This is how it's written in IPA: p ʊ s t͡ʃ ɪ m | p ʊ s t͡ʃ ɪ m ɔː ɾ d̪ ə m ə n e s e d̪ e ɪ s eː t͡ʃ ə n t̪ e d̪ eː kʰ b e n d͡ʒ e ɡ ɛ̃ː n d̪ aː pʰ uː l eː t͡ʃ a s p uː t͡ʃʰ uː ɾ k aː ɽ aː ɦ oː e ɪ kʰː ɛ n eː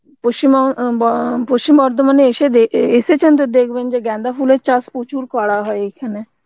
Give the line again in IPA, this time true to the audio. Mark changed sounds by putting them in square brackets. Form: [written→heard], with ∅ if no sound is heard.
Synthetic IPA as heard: p ʊ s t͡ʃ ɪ m | p ʊ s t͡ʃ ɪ m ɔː ɾ d̪ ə m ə n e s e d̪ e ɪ s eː t͡ʃ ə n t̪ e d̪ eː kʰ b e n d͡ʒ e ɡ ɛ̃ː n d̪ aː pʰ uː l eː t͡ʃ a s p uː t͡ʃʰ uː ɾ k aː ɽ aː ɦ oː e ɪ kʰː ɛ n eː